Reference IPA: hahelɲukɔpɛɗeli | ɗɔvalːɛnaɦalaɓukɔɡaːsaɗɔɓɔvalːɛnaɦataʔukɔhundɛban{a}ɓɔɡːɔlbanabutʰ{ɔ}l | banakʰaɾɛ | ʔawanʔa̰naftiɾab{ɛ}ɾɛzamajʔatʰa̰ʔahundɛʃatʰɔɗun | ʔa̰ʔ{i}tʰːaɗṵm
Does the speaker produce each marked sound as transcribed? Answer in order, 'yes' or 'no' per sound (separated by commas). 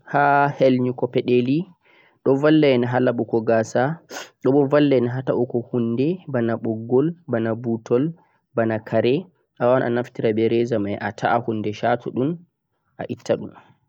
yes, yes, yes, yes